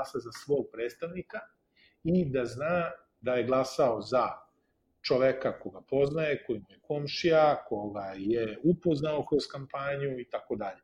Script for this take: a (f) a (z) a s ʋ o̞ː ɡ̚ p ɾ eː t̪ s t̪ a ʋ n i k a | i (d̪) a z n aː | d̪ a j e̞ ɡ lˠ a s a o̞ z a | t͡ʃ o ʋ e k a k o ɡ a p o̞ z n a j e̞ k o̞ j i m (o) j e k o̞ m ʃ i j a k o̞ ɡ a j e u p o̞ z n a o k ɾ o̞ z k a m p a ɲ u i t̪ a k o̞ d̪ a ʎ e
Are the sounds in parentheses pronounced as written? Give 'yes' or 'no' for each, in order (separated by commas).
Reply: no, yes, yes, no